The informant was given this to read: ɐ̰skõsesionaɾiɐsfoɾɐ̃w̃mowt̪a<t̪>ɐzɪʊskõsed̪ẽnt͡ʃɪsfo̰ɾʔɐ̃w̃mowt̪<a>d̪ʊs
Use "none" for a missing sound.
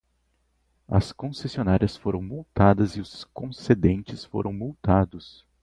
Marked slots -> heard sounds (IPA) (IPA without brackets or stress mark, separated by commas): d̪, a